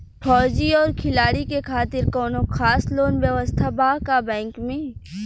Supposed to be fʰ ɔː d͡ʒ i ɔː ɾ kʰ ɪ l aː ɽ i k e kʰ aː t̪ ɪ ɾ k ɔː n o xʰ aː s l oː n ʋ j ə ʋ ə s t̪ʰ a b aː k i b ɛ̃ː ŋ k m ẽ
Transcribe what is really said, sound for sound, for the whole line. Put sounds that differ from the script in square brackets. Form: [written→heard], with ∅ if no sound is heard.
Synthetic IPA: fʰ ɔː d͡ʒ i ɔː ɾ kʰ ɪ l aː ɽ i k e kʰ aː t̪ ɪ ɾ k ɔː n o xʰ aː s l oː n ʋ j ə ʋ ə s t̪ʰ a b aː k [i→a] b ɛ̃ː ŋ k m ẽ